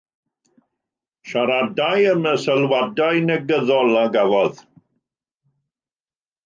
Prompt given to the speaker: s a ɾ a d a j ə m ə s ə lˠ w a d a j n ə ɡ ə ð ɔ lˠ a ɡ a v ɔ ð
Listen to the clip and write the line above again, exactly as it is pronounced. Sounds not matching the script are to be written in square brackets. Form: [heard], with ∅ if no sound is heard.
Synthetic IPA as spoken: [ʃ] a ɾ a d a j ə m ə s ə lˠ w a d a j n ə ɡ ə ð ɔ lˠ a ɡ a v ɔ ð